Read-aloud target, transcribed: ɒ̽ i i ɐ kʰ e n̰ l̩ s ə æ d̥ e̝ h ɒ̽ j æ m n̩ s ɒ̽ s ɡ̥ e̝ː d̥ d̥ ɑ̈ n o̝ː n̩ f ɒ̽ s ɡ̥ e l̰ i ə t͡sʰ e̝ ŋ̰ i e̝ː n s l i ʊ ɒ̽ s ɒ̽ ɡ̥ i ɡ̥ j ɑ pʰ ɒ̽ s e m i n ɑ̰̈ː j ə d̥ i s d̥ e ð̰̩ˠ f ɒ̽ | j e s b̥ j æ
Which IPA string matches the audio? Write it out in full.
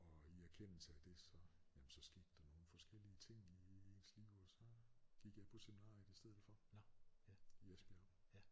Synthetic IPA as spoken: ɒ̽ i æ ɐ kʰ e n̰ l̩ s ə æ d̥ e̝ s ɒ̽ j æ m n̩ s ɒ̽ s ɡ̥ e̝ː d̥ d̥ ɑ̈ n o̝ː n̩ f ɒ̽ s ɡ̥ e l̰ i ə t͡sʰ e̝ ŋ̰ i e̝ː n s l i ʊ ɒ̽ s ɒ̽ ɡ̥ i ɡ̥ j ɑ pʰ ɒ̽ s e m i n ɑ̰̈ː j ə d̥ i s d̥ e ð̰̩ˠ f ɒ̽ | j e s b̥ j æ